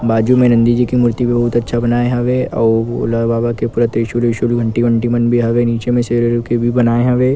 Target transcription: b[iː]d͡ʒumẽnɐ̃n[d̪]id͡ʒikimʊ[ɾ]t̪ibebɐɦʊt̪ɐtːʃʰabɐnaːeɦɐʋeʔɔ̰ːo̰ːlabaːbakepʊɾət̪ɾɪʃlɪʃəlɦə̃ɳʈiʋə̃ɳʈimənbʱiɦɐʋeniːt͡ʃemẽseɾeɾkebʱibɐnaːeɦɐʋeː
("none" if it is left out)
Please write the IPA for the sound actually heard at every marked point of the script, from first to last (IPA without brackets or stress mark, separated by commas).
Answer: aː, d̪, ɾ